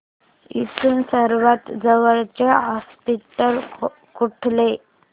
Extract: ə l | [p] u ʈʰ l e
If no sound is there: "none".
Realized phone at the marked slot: k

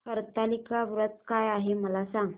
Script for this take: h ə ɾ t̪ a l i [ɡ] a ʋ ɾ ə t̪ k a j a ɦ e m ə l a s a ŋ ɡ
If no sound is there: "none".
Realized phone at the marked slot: k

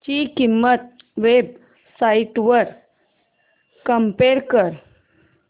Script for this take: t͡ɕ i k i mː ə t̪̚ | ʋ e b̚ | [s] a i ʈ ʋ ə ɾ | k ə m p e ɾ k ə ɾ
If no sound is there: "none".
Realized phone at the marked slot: s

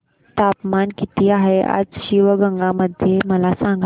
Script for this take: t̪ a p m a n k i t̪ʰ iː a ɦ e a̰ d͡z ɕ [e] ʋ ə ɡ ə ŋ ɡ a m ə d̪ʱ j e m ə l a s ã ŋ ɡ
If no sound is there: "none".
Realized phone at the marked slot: i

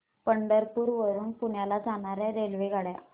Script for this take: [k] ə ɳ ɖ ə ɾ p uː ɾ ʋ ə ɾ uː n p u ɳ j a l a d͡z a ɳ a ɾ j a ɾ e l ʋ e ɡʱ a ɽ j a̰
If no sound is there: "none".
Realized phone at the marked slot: p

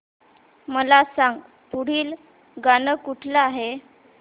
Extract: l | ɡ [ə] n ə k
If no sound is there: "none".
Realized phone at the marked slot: a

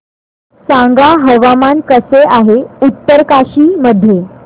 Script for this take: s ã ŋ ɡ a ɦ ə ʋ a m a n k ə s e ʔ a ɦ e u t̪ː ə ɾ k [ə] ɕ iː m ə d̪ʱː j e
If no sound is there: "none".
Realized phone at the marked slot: a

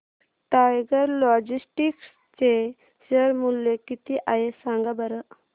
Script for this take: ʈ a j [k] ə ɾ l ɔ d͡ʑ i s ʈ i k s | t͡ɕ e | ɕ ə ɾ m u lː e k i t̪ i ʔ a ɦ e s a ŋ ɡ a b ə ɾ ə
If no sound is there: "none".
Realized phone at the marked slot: ɡ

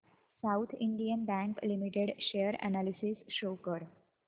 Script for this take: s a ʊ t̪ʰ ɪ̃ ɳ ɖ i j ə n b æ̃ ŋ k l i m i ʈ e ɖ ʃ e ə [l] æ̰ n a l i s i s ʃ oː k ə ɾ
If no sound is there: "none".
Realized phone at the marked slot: ɾ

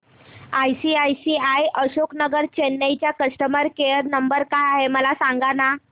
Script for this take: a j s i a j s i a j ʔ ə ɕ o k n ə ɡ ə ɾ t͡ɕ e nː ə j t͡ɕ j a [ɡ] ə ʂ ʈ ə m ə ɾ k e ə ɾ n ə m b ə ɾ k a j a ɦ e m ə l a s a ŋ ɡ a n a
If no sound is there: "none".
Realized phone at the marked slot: k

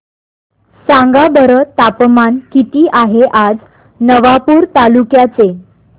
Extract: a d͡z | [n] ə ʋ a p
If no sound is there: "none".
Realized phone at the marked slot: n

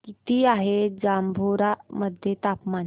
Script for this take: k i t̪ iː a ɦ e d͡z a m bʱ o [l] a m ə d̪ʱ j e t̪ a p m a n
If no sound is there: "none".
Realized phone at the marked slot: ɾ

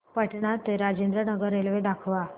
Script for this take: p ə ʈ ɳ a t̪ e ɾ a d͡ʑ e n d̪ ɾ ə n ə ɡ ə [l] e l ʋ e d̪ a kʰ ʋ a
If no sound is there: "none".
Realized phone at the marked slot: ɾ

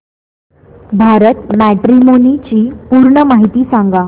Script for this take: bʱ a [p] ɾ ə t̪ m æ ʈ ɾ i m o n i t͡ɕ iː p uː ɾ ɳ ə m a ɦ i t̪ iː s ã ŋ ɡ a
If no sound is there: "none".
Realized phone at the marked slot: none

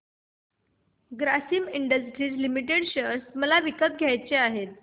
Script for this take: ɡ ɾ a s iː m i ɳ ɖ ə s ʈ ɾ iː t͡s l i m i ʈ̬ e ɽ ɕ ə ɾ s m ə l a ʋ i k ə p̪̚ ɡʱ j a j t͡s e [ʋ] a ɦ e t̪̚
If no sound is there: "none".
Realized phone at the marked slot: none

